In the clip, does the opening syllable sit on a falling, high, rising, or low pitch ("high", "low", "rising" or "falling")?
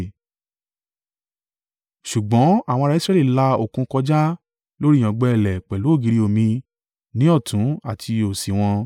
low